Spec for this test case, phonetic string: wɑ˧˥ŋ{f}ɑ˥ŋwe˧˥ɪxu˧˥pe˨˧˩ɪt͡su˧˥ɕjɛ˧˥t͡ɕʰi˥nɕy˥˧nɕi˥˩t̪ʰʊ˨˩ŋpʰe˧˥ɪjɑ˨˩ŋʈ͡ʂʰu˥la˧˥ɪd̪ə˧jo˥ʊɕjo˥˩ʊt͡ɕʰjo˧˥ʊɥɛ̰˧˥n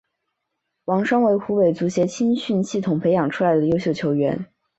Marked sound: incorrect: ʂ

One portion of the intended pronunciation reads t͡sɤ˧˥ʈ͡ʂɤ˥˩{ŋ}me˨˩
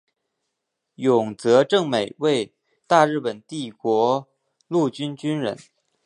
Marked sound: correct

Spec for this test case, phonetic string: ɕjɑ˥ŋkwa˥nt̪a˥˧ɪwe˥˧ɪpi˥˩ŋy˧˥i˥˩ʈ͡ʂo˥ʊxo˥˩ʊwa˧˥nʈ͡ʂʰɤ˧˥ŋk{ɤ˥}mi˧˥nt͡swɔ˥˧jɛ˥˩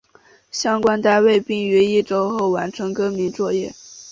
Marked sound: correct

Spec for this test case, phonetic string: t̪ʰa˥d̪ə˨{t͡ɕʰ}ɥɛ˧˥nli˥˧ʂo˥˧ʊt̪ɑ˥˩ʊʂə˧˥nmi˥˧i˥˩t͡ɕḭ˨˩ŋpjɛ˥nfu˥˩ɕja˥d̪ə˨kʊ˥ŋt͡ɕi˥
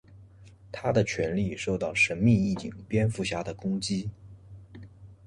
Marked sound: correct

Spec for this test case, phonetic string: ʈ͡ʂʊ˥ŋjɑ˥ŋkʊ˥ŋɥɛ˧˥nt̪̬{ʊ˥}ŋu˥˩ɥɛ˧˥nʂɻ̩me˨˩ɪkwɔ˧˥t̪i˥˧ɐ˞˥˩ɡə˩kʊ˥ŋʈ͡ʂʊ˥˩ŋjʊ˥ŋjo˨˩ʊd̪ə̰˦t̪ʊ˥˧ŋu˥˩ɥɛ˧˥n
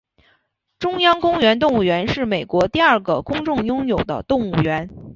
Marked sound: incorrect: ʊ˥˧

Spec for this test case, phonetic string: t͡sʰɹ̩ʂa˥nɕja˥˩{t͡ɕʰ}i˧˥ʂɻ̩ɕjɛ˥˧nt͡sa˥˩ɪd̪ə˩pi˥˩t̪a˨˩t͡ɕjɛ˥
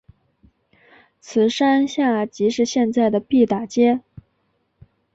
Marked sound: incorrect: t͡ɕ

